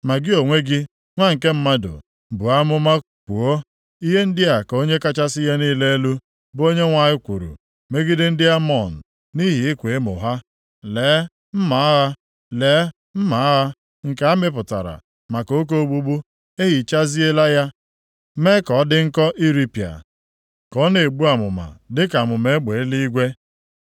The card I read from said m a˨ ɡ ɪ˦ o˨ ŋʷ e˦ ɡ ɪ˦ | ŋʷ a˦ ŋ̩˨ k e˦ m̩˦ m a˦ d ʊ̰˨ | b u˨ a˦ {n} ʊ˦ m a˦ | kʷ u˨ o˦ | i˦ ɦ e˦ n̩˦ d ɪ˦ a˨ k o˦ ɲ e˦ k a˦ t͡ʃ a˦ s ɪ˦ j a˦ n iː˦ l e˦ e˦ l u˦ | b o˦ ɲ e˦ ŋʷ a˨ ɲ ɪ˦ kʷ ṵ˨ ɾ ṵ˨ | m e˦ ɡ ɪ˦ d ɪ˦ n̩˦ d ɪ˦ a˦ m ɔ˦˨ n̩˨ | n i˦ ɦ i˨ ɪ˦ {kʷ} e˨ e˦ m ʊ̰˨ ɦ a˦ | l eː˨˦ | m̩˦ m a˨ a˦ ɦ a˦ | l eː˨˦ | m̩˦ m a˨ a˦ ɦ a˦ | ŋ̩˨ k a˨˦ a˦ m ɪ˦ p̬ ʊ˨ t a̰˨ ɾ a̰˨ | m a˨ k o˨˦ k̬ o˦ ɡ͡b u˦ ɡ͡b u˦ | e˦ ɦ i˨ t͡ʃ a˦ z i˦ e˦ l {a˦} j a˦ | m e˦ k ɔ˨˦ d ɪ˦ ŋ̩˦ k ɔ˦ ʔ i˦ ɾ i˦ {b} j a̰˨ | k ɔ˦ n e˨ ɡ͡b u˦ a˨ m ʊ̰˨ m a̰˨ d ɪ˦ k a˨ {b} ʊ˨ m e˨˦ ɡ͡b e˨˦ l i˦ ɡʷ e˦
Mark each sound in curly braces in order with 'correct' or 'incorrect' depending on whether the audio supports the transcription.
incorrect: m, correct, correct, incorrect: p, incorrect: m

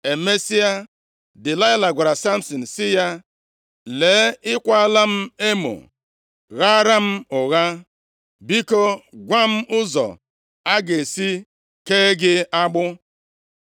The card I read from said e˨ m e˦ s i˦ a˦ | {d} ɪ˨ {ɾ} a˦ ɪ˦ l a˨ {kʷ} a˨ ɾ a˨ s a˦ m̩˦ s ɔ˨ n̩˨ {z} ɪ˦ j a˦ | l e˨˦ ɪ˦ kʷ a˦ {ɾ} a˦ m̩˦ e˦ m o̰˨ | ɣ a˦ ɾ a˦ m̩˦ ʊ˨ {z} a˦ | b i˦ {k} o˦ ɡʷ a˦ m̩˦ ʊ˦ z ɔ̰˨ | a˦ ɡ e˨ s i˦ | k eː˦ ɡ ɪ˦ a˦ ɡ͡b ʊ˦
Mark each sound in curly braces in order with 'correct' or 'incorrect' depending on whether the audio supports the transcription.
correct, incorrect: l, incorrect: ɡʷ, incorrect: s, incorrect: l, incorrect: ɣ, correct

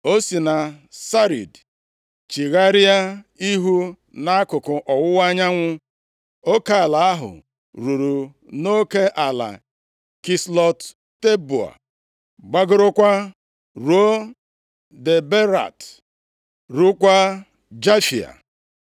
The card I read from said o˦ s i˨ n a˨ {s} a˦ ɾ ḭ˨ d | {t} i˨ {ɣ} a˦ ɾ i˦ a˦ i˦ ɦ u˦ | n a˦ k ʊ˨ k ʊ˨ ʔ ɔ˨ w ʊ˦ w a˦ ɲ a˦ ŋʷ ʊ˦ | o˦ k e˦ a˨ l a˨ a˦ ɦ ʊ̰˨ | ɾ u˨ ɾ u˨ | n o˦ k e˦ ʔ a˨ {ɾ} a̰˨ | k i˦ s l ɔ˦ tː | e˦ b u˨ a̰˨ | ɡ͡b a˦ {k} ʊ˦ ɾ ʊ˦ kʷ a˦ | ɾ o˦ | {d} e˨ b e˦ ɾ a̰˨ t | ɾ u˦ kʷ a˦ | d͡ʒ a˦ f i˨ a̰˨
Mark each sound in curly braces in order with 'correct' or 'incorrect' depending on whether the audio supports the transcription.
correct, incorrect: t͡ʃ, correct, incorrect: l, incorrect: ɡ, correct

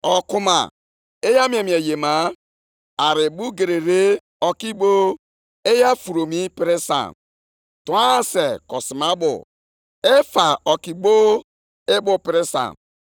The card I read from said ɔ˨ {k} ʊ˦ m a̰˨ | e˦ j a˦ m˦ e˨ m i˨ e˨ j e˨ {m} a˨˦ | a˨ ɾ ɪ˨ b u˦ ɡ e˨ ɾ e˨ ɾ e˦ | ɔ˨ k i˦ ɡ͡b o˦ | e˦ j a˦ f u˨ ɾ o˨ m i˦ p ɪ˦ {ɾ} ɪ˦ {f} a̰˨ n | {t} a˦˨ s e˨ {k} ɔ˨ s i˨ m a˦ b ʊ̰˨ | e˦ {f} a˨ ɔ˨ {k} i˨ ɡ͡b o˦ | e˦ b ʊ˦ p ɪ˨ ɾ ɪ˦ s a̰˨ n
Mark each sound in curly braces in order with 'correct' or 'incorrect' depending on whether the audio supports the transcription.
correct, correct, correct, incorrect: s, correct, correct, correct, correct

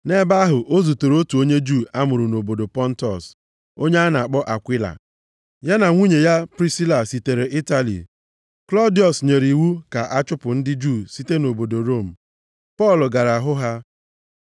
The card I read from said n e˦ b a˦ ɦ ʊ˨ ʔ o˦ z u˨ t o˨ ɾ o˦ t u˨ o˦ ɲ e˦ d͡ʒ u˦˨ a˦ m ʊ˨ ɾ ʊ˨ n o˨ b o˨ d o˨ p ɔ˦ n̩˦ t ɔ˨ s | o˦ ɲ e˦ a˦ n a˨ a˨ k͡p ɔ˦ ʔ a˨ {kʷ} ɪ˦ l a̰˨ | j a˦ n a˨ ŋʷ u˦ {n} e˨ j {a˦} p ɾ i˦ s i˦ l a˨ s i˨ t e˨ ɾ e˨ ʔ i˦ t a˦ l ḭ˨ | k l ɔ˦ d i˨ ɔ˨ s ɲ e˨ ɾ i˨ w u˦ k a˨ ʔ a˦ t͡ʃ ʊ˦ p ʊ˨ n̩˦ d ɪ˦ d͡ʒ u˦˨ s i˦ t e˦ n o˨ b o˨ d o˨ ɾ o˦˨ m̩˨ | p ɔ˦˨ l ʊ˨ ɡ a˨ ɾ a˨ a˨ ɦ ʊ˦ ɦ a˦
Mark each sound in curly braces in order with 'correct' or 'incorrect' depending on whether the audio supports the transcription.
correct, incorrect: ɲ, correct

